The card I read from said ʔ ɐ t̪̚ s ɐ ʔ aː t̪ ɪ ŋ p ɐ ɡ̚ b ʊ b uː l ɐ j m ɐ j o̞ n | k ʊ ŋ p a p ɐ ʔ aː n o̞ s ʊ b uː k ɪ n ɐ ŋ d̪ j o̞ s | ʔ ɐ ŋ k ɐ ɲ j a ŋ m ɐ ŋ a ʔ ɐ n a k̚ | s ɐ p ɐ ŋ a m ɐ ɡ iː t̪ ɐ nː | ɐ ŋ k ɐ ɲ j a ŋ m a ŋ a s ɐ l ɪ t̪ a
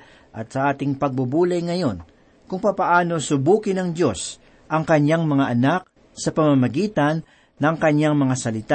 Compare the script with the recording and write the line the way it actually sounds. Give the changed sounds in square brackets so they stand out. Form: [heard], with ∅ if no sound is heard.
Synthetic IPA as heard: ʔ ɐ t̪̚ s ɐ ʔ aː t̪ ɪ ŋ p ɐ ɡ̚ b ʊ b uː l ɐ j [ŋ] ɐ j o̞ n | k ʊ ŋ p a p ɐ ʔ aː n o̞ s ʊ b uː k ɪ n ɐ ŋ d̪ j o̞ s | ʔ ɐ ŋ k ɐ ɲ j a ŋ m ɐ ŋ a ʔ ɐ n a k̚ | s ɐ p ɐ [m] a m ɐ ɡ iː t̪ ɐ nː | ɐ ŋ k ɐ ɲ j a ŋ m [ɐ] ŋ a s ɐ l ɪ t̪ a